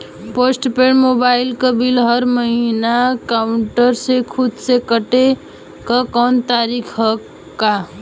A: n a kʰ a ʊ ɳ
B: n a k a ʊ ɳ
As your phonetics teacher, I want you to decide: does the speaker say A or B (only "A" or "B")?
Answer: B